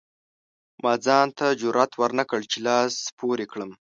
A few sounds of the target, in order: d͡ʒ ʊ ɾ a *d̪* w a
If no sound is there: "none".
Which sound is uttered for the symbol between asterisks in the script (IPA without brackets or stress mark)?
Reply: t̪